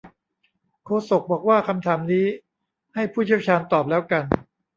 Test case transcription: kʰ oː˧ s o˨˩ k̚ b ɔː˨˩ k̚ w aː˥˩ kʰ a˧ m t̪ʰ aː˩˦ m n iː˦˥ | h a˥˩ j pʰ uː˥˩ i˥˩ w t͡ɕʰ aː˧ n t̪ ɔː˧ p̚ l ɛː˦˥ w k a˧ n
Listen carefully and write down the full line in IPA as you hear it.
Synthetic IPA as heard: kʰ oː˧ s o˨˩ k̚ b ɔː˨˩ k̚ w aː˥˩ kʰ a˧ m t̪ʰ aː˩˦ m n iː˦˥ | h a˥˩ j pʰ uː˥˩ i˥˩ w t͡ɕʰ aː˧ n t̪ ɔː˨˩ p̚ l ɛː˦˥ w k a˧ n

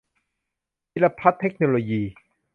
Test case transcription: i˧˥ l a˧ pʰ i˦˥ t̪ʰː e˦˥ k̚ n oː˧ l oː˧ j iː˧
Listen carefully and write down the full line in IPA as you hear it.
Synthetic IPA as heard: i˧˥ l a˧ pʰ a˦˥ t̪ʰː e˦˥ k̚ n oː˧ l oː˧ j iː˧

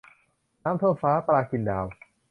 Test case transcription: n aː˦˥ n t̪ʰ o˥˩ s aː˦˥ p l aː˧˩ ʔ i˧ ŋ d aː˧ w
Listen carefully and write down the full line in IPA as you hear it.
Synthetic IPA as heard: n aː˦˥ m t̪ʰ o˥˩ f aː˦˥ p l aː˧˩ k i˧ n d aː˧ w

